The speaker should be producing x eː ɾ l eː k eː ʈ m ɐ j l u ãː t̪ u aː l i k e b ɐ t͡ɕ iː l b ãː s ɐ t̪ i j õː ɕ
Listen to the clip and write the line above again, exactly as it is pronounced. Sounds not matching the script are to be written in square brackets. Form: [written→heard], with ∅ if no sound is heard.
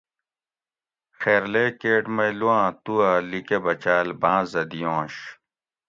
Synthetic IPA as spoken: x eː ɾ l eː k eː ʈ m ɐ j l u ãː t̪ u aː l i k e b ɐ t͡ɕ [iː→aː] l b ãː [s→z] ɐ [t̪→d̪] i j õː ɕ